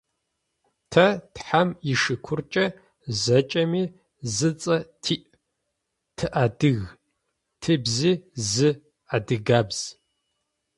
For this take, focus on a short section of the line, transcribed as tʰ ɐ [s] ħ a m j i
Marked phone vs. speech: incorrect: t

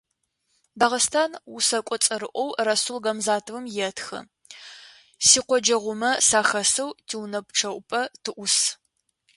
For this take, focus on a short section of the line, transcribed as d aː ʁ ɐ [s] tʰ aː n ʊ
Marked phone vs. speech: correct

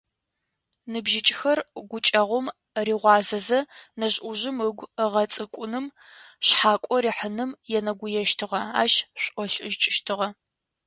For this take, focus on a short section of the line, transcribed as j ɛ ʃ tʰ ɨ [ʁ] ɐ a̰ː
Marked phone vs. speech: correct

